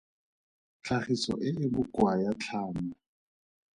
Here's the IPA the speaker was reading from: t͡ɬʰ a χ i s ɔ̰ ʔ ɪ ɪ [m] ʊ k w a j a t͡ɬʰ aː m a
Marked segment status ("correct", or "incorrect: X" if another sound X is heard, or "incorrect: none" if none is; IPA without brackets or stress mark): incorrect: b